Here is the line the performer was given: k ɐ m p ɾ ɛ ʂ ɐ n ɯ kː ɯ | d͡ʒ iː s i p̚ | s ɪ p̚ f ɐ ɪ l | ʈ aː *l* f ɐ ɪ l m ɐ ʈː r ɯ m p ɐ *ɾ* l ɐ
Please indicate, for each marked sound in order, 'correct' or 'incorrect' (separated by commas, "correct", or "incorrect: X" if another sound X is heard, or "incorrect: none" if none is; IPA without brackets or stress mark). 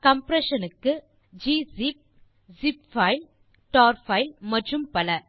incorrect: ɾ, incorrect: none